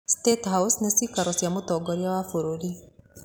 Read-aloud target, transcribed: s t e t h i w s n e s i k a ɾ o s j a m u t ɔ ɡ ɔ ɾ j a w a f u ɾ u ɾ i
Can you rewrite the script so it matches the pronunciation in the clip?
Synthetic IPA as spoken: s t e t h a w s n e s i k a ɾ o s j a m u t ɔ ɡ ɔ ɾ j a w a f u ɾ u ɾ i